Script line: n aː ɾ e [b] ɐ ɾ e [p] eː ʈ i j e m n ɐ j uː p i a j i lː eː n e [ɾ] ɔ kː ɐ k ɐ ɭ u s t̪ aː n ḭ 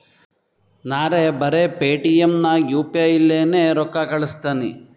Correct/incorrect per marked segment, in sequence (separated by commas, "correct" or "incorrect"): correct, correct, correct